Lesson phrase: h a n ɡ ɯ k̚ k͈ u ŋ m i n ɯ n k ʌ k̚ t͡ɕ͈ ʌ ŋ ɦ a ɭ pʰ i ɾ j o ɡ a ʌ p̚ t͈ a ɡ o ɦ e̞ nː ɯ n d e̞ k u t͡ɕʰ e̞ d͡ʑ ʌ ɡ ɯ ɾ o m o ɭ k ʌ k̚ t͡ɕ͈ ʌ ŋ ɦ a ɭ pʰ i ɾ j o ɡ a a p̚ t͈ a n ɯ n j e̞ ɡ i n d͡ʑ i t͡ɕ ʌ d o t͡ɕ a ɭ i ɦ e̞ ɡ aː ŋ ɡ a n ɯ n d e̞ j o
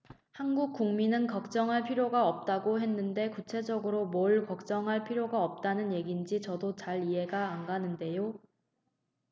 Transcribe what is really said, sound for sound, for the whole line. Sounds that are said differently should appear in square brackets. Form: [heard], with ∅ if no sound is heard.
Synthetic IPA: h a n ɡ [u] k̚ k͈ u ŋ m i n ɯ n k ʌ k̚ t͡ɕ͈ ʌ ŋ ɦ a ɭ pʰ i ɾ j o ɡ a ʌ p̚ t͈ a ɡ o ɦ e̞ nː ɯ n d e̞ k u t͡ɕʰ e̞ d͡ʑ ʌ ɡ ɯ ɾ o m o ɭ k ʌ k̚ t͡ɕ͈ ʌ ŋ ɦ a ɭ pʰ i ɾ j o ɡ a [ʌ] p̚ t͈ a n ɯ n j e̞ ɡ i n d͡ʑ i t͡ɕ ʌ d o t͡ɕ a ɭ i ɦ e̞ ɡ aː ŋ ɡ a n ɯ n d e̞ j o